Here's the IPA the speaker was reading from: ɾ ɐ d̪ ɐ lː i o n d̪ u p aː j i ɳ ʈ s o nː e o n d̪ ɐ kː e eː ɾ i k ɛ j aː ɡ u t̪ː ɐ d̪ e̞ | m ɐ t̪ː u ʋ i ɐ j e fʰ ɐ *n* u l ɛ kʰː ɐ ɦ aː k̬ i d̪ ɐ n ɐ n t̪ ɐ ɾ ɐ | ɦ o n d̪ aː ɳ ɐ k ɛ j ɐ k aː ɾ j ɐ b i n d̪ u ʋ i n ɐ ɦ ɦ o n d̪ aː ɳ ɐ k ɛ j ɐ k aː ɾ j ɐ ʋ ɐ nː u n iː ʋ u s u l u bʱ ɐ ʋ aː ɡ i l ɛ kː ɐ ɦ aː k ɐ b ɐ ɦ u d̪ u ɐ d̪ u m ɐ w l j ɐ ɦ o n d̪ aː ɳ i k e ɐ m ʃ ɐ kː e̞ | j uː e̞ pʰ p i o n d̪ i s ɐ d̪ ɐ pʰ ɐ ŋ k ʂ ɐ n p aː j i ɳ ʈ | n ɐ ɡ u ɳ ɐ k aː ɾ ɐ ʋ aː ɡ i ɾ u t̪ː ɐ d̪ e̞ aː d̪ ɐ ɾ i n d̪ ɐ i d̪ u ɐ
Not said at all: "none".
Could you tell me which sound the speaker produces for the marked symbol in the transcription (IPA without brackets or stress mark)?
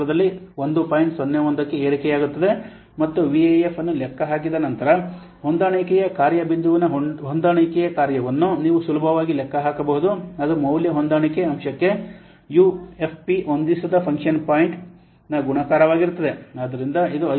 nː